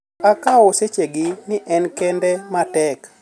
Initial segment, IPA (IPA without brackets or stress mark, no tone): a